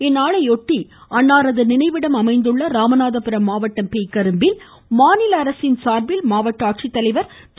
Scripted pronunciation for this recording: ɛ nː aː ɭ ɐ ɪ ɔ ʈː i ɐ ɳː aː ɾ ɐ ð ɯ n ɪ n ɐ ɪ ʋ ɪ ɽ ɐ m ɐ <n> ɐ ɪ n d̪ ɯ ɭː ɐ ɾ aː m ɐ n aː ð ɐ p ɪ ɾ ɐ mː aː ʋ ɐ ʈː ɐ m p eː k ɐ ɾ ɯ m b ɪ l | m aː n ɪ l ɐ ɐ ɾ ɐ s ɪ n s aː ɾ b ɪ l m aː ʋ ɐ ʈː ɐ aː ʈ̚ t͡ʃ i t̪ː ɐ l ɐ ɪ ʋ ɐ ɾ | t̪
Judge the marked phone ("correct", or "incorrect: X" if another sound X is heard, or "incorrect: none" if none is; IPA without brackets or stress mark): incorrect: m